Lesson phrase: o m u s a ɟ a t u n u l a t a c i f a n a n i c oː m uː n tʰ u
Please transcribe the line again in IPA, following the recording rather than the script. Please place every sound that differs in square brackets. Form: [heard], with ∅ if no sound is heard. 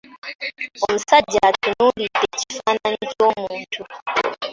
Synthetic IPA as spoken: o m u s a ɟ a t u n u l [i] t [e] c i f a n a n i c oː m uː n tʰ u